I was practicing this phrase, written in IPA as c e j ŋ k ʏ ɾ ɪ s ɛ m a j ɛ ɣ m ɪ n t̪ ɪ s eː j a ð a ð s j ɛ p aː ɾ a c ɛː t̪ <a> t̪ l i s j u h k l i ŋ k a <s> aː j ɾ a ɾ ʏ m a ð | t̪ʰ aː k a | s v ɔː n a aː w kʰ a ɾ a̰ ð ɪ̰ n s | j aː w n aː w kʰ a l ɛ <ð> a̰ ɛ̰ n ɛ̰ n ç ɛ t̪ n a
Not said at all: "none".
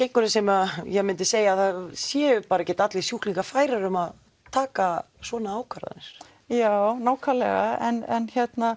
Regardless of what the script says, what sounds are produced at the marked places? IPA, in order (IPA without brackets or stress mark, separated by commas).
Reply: a, f, ɣ